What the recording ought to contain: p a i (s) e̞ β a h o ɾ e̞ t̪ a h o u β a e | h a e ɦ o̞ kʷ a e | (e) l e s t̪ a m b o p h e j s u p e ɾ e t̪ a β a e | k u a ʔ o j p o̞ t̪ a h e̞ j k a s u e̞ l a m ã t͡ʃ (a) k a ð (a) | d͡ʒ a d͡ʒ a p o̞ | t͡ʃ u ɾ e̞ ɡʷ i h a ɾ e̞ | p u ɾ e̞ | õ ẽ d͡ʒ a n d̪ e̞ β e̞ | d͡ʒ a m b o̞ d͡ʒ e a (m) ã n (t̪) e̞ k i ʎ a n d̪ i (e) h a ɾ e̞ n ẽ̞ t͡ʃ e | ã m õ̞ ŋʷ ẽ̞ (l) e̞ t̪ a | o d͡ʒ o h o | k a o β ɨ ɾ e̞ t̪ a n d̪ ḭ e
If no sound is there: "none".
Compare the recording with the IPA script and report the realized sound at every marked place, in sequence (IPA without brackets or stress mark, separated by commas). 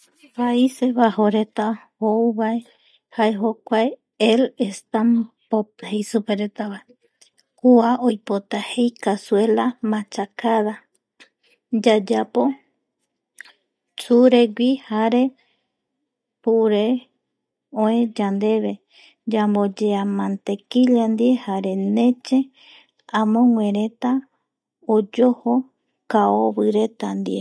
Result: s, e, a, a, m, t̪, e, ɾ